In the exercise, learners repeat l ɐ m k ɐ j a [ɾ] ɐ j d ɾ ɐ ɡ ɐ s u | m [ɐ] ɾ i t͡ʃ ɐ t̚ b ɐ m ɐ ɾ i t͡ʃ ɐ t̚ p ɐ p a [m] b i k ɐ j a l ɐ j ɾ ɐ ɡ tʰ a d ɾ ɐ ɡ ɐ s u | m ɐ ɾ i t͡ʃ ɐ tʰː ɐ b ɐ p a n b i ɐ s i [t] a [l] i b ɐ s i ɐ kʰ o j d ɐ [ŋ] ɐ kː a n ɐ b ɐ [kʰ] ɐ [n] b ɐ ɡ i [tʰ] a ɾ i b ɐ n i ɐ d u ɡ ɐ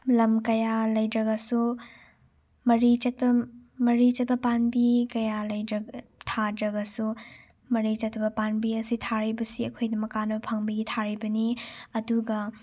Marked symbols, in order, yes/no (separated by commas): no, yes, no, no, no, no, no, no, yes